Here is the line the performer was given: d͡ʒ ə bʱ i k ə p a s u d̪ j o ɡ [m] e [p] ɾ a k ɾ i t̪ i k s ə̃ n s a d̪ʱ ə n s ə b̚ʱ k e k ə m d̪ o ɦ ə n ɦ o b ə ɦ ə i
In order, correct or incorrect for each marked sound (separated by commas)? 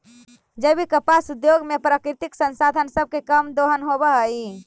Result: correct, correct